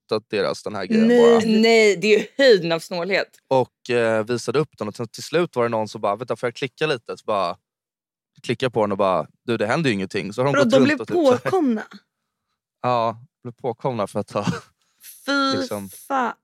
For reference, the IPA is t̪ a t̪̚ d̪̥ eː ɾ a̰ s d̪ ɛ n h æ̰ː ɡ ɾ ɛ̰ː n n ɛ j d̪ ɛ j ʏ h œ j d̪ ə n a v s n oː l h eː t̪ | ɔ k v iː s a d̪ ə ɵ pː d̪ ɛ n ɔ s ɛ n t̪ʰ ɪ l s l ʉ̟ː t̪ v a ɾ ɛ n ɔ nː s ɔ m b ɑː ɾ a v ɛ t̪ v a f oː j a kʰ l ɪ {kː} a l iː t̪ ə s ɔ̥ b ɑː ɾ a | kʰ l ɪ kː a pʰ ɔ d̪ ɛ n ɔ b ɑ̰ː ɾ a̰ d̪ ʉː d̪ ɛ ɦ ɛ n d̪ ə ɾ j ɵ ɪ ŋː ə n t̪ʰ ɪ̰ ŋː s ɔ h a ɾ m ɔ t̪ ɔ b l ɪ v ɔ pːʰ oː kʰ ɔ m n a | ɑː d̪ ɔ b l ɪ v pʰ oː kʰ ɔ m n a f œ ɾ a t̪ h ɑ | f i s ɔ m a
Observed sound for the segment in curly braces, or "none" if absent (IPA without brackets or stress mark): kː